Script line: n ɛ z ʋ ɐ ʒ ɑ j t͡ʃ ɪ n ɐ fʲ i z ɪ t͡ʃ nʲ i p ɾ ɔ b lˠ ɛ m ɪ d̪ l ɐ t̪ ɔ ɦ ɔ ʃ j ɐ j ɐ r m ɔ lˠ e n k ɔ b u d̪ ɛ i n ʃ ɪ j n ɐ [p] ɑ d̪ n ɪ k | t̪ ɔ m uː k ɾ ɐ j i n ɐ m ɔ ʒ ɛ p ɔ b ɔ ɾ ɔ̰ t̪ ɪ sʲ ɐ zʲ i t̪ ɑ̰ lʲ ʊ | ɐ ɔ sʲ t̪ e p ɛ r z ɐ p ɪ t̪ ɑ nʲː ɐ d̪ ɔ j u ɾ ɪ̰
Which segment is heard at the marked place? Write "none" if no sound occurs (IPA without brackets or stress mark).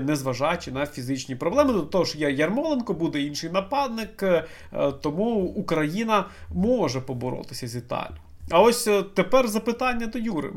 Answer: p